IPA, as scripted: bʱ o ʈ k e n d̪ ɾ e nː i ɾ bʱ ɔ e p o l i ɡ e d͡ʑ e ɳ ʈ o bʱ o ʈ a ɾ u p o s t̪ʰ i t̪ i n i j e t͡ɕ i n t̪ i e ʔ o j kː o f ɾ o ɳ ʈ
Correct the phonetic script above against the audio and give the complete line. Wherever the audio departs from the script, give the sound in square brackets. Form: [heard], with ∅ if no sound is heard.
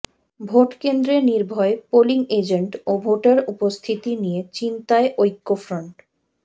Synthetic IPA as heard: bʱ o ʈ k e n d̪ ɾ e [n] i ɾ bʱ ɔ e p o l i [ŋ] e d͡ʑ e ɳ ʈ o bʱ o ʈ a ɾ u p o s t̪ʰ i t̪ i n i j e t͡ɕ i n t̪ [a] e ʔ o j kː o f ɾ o ɳ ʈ

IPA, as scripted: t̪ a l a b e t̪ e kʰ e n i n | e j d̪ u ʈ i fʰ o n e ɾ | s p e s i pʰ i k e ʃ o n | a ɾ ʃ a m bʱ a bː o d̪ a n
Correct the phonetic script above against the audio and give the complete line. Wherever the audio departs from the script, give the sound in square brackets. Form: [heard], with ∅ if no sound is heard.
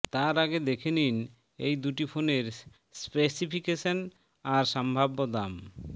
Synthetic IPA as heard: t̪ a [ɾ] a [ɡ] e [d̪] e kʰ e n i n | e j d̪ u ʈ i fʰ o n e ɾ | s p e s i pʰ i k e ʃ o n | a ɾ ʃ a m bʱ a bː o d̪ a [m]

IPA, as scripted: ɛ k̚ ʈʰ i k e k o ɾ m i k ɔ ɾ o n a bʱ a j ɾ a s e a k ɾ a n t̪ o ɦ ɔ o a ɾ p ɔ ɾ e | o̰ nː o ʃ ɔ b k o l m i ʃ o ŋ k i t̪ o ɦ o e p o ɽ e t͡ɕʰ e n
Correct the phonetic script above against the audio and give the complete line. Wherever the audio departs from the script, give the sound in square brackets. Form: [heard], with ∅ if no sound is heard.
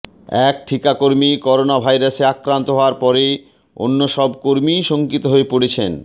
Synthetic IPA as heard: ɛ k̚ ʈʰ i k [a] k o ɾ m i k ɔ ɾ o n a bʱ a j ɾ a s e a k ɾ a n t̪ o ɦ ɔ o a ɾ p ɔ ɾ e | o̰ nː o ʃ ɔ b k o [ɾ] m i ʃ o ŋ k i t̪ o ɦ o e p o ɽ e t͡ɕʰ e n

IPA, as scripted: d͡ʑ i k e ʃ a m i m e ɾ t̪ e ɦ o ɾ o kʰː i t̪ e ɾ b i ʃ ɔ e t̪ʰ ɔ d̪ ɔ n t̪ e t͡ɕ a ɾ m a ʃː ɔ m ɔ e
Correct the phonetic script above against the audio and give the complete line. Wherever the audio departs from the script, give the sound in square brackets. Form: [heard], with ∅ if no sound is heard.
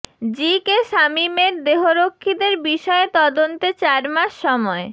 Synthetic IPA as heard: d͡ʑ i k e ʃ a m i m e ɾ [d̪] e ɦ o ɾ o kʰː i [d̪] e ɾ b i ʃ ɔ e [t̪] ɔ d̪ [o] n t̪ e t͡ɕ a ɾ m a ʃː ɔ m ɔ e

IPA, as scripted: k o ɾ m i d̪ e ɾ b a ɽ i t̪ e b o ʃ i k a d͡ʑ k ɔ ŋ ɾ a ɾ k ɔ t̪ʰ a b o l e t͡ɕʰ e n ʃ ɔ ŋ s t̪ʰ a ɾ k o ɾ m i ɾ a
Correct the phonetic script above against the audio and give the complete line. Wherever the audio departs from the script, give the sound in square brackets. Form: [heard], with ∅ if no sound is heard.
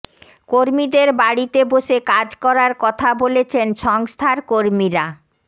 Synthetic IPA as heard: k o ɾ m i d̪ e ɾ b a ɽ i t̪ e b o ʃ [e] k a d͡ʑ k ɔ [∅] ɾ a ɾ k ɔ t̪ʰ a b o l e t͡ɕʰ e n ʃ ɔ ŋ s t̪ʰ a ɾ k o ɾ m i ɾ a

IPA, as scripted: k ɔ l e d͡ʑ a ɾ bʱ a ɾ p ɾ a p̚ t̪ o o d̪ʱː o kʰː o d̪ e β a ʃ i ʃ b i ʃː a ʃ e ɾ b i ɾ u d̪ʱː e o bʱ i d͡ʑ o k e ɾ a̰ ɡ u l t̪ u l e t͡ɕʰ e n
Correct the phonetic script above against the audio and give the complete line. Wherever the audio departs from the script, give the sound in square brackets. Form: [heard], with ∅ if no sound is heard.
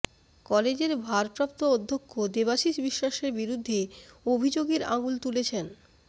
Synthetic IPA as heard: k ɔ l e d͡ʑ [e] ɾ bʱ a ɾ p ɾ a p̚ t̪ o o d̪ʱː o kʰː o d̪ e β a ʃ i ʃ b i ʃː a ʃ e ɾ b i ɾ u d̪ʱː e o bʱ i d͡ʑ o [ɡ] e ɾ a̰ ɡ u l t̪ u l e t͡ɕʰ e n

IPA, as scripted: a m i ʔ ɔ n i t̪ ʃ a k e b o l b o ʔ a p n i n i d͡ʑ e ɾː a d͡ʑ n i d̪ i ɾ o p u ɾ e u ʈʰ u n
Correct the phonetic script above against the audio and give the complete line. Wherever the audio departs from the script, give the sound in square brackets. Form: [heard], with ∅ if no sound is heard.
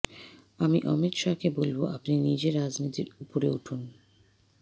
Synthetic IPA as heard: a m i ʔ ɔ [m] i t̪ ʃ a k e b o l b o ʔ a p n i n i d͡ʑ e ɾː a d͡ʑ n i [t̪] i ɾ [u] p [o] ɾ e u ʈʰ u n

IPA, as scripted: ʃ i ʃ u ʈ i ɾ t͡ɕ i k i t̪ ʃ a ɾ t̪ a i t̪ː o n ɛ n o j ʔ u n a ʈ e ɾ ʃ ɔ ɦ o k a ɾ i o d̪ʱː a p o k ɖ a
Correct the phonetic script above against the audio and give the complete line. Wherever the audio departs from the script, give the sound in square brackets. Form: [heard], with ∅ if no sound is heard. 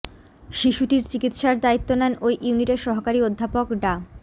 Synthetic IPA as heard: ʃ i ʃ u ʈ i ɾ t͡ɕ i k i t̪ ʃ a ɾ [d̪] a i t̪ː o n ɛ n o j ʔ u n [i] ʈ e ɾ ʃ ɔ ɦ o k a ɾ i o d̪ʱː a p o k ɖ a

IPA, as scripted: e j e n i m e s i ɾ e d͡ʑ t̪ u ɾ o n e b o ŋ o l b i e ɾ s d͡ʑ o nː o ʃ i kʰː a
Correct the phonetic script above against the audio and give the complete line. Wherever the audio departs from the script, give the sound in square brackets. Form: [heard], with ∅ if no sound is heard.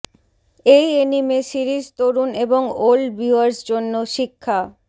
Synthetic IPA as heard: e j e n i m e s i ɾ [i] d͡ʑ t̪ [o] ɾ [u] n e b o ŋ o l b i [a] ɾ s d͡ʑ o nː o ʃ i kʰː a

